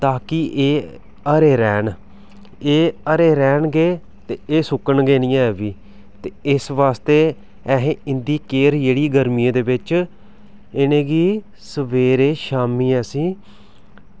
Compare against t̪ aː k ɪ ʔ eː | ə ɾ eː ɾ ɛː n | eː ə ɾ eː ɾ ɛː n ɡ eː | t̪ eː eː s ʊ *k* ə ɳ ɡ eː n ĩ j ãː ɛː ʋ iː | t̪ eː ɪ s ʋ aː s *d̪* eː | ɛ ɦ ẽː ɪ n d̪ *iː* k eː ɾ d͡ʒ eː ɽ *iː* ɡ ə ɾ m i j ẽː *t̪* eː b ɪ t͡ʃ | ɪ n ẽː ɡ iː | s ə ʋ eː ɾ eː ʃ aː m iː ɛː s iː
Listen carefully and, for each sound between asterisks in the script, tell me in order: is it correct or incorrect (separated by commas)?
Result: correct, incorrect, correct, correct, incorrect